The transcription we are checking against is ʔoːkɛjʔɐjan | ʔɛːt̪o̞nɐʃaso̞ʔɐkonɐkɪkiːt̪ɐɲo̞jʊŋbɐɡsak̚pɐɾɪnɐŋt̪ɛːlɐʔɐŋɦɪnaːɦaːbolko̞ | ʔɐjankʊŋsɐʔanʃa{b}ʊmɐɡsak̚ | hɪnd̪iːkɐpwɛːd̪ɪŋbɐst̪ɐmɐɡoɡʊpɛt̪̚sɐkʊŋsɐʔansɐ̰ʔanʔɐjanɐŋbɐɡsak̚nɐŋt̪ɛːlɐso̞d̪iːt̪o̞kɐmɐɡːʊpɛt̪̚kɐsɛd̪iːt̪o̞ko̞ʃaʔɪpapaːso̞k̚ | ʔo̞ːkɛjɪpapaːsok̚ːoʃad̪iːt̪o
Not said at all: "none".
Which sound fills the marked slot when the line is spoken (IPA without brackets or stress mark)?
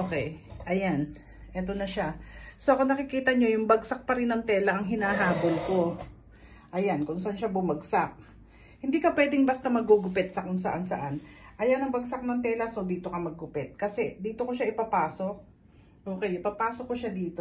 b